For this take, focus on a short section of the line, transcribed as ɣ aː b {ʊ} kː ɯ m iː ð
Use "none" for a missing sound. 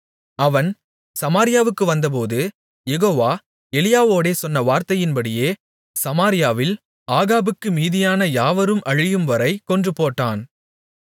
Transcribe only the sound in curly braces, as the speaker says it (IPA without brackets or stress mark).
ɯ